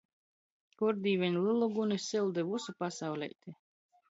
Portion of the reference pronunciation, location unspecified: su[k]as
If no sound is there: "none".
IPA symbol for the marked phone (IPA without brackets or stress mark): p